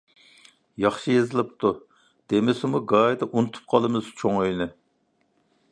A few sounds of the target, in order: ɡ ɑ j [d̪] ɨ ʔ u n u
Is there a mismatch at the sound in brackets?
no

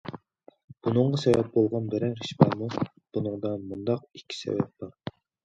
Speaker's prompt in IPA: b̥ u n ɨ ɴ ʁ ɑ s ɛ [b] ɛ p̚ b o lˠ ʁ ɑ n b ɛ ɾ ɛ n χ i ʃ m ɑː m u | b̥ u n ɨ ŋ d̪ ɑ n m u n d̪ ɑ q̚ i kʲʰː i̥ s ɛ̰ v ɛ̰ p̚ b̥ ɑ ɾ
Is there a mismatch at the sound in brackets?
yes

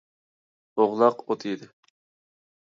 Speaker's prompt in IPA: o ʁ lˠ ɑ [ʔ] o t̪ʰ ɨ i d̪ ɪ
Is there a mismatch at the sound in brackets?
yes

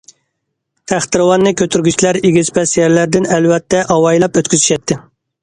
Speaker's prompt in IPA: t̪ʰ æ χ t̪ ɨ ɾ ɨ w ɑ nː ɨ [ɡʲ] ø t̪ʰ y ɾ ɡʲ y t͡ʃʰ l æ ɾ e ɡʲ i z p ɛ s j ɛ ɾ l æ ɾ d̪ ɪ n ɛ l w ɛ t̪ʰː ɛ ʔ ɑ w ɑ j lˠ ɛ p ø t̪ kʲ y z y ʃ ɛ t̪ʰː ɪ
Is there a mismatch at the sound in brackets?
yes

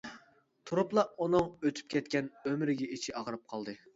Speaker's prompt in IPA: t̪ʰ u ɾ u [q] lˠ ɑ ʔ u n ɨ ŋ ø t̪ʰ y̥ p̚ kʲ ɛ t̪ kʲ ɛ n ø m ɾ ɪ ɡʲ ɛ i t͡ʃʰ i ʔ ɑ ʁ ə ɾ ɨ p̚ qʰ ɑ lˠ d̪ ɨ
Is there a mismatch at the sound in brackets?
yes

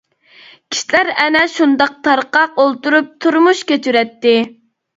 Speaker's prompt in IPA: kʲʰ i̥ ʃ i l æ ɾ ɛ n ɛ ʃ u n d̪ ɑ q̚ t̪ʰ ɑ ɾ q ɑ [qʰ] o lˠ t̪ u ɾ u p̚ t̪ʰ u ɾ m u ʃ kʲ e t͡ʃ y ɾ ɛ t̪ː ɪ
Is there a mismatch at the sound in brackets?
yes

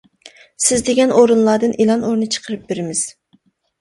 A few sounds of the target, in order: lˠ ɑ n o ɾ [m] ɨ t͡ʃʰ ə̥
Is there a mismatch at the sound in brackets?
yes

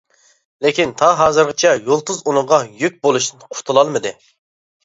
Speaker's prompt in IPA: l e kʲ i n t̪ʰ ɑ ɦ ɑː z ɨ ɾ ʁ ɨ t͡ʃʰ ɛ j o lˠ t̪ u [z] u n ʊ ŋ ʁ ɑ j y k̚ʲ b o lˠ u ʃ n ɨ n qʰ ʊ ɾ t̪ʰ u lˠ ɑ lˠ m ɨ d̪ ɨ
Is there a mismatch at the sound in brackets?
no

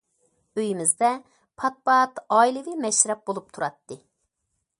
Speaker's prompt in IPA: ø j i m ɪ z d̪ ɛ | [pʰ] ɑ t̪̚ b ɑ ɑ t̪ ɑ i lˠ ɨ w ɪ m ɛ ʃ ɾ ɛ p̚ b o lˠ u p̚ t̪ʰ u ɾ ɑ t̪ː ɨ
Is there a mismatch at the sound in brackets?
no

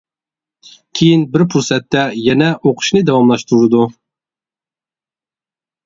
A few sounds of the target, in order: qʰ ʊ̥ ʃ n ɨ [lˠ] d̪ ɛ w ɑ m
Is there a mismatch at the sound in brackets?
yes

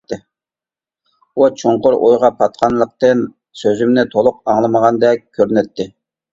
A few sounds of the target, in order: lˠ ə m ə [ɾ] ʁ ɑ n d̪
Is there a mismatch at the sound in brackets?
yes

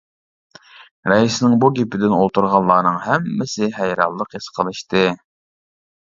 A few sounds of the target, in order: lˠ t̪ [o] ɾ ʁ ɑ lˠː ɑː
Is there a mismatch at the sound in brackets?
yes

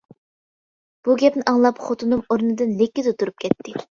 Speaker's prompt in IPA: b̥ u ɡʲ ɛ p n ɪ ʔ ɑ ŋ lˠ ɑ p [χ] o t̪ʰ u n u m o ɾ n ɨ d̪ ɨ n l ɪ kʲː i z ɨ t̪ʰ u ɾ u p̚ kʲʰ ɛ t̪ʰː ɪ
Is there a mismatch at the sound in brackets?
no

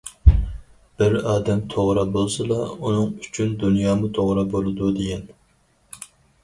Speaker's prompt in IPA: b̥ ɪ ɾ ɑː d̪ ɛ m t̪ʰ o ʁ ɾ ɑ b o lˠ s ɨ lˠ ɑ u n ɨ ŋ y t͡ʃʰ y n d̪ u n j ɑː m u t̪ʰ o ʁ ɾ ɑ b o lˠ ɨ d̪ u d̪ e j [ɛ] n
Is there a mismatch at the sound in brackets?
no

